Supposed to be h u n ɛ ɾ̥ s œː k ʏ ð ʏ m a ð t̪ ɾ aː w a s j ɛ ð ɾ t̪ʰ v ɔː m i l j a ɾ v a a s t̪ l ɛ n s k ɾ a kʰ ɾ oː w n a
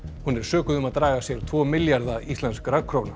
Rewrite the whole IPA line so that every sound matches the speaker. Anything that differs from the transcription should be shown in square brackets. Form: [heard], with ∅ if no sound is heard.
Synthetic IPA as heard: h u n ɛ ɾ̥ s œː k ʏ ð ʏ m a ð t̪ ɾ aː [ɣ] a s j ɛ [∅] ɾ t̪ʰ v ɔː m [ɪ] l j a ɾ [ð] a [i] s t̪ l ɛ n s k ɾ a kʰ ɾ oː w n a